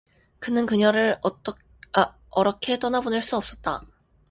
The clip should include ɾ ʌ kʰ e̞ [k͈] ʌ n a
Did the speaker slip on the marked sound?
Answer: yes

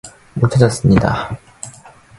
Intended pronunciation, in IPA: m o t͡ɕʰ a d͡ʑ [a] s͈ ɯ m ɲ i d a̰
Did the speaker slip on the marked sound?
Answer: yes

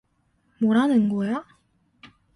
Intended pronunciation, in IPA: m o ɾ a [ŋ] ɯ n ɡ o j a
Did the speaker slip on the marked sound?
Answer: yes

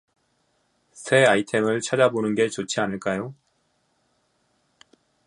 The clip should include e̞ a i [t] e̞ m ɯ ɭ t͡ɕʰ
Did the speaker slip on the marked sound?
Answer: yes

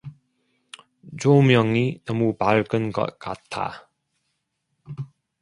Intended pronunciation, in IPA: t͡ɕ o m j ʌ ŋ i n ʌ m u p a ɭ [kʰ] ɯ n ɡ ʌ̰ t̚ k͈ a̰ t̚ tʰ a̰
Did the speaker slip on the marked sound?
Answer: yes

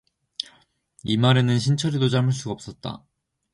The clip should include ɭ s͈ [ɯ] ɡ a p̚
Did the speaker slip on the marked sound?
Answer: yes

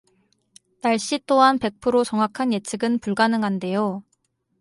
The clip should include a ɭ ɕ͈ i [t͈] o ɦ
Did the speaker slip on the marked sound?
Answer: no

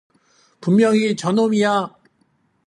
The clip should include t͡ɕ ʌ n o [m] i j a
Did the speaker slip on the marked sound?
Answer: no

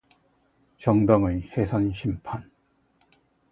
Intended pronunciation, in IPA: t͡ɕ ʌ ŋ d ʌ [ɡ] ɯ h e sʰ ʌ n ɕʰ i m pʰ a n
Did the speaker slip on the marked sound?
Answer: yes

